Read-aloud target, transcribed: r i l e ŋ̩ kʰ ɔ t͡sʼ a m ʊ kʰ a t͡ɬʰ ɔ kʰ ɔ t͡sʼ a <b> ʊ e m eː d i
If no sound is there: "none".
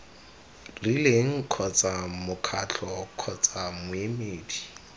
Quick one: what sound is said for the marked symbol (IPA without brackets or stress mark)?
m